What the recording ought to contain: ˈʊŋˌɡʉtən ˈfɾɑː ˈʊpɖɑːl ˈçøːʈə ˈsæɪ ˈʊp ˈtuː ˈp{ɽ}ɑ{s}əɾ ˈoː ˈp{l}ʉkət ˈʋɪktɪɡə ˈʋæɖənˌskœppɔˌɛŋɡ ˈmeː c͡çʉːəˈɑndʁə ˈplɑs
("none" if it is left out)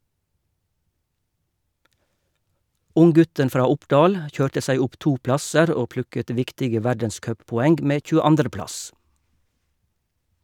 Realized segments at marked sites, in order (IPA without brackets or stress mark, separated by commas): l, s, l